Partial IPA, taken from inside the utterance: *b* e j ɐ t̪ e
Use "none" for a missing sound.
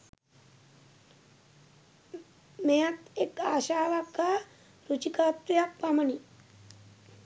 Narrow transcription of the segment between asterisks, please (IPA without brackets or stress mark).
m